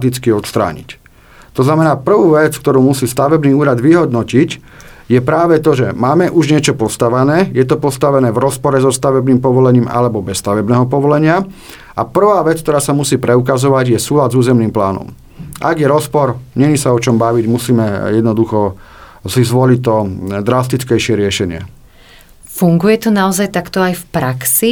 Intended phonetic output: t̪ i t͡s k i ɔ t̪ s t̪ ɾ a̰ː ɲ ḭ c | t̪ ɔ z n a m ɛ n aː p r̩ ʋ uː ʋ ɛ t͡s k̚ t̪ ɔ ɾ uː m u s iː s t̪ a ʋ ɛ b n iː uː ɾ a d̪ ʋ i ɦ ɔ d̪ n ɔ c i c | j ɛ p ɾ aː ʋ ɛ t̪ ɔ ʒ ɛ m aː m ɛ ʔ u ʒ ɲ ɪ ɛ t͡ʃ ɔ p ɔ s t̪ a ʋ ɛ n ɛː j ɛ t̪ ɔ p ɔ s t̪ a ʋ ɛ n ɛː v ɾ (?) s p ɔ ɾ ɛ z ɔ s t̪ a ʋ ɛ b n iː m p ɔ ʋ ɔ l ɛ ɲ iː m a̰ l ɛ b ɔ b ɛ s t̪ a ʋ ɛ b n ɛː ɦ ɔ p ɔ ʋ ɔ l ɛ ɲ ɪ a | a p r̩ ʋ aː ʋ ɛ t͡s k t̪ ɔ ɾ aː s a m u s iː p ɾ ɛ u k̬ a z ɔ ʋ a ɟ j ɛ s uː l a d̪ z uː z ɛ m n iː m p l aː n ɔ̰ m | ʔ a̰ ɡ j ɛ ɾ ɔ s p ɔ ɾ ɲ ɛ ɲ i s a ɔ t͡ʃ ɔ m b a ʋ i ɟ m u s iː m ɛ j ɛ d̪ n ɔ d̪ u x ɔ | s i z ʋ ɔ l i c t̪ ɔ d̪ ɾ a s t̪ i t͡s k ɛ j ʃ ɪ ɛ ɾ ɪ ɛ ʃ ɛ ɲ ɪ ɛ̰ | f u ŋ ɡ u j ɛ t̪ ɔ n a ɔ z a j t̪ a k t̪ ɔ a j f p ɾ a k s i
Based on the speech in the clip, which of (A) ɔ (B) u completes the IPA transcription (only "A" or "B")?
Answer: A